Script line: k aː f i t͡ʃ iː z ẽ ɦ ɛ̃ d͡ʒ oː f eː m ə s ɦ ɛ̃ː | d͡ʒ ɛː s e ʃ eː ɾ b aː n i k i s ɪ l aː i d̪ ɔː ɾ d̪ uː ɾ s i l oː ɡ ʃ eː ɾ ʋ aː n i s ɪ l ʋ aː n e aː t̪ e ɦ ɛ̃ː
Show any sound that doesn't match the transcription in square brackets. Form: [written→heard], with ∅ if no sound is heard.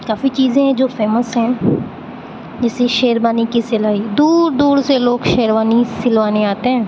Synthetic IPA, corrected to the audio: k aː f i t͡ʃ iː z ẽ ɦ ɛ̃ d͡ʒ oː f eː m ə s ɦ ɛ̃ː | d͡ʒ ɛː s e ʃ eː ɾ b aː n i k i s ɪ l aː i d̪ [ɔː→uː] ɾ d̪ uː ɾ s [i→e] l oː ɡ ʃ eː ɾ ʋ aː n i s ɪ l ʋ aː n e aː t̪ e ɦ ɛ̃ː